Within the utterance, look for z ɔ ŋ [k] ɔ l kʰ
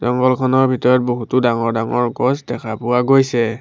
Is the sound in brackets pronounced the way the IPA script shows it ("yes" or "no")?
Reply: no